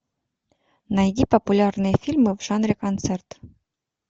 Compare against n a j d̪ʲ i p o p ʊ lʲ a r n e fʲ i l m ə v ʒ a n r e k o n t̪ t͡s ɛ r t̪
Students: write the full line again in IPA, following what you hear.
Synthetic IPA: n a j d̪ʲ i p o p u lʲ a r n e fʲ i l m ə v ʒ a n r e k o n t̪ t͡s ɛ r t̪